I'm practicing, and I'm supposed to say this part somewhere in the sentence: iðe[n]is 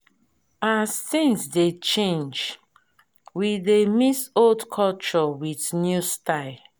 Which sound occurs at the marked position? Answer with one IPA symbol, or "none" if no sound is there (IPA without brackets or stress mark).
m